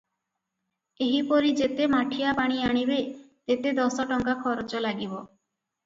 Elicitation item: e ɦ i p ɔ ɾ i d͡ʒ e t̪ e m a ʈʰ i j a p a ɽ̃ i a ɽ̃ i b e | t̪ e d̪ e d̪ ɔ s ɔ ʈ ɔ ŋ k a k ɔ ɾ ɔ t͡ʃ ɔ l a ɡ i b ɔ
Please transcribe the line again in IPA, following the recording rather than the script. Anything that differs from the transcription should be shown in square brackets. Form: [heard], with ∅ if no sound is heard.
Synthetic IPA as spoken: e ɦ i p ɔ ɾ i d͡ʒ e t̪ e m a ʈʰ i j a p a ɽ̃ i a ɽ̃ i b e | t̪ e [t̪] e d̪ ɔ s ɔ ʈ ɔ ŋ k a [kʰ] ɔ ɾ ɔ t͡ʃ ɔ l a ɡ i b ɔ